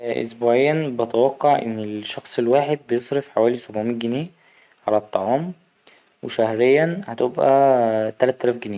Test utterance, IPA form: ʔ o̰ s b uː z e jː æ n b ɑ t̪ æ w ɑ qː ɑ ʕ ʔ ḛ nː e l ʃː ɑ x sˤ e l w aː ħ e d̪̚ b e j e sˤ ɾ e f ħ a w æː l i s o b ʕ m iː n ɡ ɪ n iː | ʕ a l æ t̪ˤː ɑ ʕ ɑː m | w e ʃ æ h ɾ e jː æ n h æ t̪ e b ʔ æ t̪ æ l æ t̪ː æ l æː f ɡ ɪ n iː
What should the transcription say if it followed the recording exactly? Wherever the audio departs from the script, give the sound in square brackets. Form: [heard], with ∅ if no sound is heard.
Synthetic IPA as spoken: ʔ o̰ s b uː [ʕ] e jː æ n b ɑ t̪ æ w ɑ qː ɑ ʕ ʔ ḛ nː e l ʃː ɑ x sˤ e l w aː ħ e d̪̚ b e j e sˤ ɾ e f ħ a w æː l i s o b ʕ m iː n ɡ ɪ n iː | ʕ a l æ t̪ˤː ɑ ʕ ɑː m | w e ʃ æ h ɾ e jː æ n h æ t̪ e b ʔ æ t̪ æ l æ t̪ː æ l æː f ɡ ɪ n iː

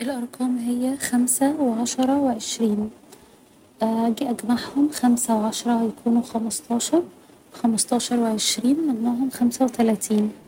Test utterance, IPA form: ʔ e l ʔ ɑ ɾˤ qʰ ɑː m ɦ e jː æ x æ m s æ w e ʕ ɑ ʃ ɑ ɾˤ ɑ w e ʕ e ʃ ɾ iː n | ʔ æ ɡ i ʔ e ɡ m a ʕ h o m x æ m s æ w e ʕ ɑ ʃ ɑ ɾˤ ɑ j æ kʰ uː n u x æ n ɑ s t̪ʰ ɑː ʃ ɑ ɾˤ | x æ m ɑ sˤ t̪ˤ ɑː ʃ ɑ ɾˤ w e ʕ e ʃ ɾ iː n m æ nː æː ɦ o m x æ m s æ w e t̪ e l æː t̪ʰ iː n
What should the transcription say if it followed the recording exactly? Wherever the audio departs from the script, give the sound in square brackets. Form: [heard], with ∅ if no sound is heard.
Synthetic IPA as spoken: ʔ e l ʔ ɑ ɾˤ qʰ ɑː m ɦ e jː æ x æ m s æ w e ʕ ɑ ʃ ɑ ɾˤ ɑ w e ʕ e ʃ ɾ iː n | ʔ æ ɡ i ʔ [æ] ɡ m a ʕ h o m x æ m s æ w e ʕ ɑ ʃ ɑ ɾˤ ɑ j æ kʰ uː n u x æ [m] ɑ s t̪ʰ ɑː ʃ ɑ ɾˤ | x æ m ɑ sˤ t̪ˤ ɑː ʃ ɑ ɾˤ w e ʕ e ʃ ɾ iː n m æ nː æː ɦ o m x æ m s æ w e t̪ [æ] l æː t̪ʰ iː n

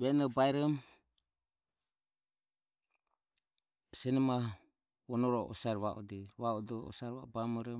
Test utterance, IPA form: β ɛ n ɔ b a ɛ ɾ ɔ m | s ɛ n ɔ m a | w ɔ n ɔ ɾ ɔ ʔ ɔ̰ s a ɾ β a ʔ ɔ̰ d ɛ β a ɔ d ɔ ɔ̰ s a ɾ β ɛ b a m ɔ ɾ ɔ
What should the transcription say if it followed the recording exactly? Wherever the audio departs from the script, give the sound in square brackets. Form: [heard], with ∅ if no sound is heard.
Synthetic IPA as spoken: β ɛ n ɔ b a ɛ ɾ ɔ m | s ɛ n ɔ m a | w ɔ n ɔ ɾ ɔ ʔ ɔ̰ s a ɾ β a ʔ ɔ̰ d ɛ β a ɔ d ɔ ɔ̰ s a ɾ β [a] b a m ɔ ɾ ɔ

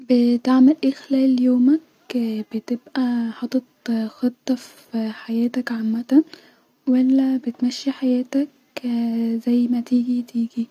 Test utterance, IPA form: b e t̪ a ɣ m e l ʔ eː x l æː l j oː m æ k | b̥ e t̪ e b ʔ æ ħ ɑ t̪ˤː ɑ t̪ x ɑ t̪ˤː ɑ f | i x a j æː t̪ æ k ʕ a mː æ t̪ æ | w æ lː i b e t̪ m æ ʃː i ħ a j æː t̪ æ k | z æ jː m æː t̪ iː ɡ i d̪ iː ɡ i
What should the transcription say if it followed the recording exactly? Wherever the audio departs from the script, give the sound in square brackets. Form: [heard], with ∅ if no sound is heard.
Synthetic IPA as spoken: b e t̪ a [ʕ] m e l ʔ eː x l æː l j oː m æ k | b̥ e t̪ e b ʔ æ ħ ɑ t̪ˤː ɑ t̪ x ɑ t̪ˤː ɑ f | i [ħ] a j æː t̪ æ k ʕ a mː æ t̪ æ | w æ lː [æ] b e t̪ m æ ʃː i ħ a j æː t̪ æ k | z æ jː m [æ] t̪ iː ɡ i [t̪] iː ɡ i

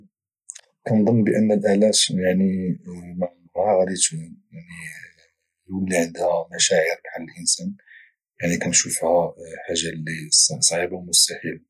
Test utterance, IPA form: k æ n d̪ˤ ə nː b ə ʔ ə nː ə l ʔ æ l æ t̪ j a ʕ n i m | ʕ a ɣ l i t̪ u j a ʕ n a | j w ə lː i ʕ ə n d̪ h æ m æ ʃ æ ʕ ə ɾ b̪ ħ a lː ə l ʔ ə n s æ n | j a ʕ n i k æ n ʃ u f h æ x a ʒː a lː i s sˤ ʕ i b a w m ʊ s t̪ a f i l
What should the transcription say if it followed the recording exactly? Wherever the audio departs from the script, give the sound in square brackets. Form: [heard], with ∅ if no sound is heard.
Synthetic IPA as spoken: k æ n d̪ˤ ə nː b ə ʔ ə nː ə l ʔ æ l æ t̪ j a ʕ n i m | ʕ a ɣ [ɾ] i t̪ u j a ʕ n [i] | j w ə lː i ʕ ə n d̪ h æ m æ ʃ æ ʕ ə ɾ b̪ ħ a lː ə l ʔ ə n s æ n | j a ʕ n i k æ n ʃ u f h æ [ħ] a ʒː a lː i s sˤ ʕ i b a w m ʊ s t̪ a [ħ] i l

